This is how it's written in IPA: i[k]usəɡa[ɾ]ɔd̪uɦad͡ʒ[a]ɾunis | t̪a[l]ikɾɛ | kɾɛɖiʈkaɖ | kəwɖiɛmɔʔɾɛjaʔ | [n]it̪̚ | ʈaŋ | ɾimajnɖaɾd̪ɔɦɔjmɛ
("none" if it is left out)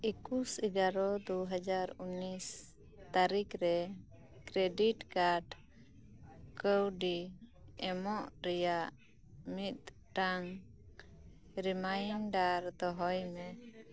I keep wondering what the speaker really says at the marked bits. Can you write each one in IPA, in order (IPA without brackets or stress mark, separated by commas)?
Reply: k, ɾ, a, ɾ, m